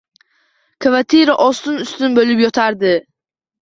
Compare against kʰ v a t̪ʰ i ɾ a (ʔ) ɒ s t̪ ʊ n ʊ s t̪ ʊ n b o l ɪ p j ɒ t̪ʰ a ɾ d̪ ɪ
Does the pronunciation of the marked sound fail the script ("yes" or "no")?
no